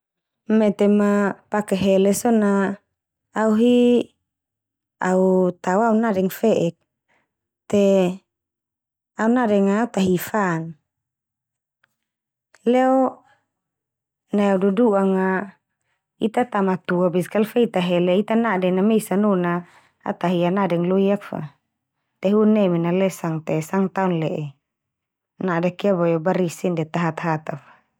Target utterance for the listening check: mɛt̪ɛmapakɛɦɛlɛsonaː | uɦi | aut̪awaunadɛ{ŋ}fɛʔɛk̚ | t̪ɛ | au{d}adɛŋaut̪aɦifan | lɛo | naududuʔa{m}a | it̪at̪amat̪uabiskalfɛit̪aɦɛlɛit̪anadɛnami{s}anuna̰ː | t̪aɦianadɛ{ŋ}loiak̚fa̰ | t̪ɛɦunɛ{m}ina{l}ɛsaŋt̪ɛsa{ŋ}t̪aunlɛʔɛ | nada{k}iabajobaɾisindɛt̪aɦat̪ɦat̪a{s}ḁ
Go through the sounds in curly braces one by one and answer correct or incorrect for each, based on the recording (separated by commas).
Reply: correct, incorrect, incorrect, correct, correct, correct, correct, correct, correct, incorrect